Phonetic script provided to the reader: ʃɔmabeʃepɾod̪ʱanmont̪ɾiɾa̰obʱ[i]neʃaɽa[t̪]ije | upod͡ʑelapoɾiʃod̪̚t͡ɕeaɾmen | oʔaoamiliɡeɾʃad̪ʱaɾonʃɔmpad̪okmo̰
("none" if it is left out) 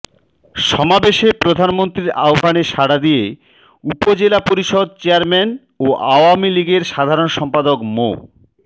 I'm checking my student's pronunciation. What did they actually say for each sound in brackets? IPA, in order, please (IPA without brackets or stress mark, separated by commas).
a, d̪